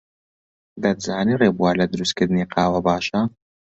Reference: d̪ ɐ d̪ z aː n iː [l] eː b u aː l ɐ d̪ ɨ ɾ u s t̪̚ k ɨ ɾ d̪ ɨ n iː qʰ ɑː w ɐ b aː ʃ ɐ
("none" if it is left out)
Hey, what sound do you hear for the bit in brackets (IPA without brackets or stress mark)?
r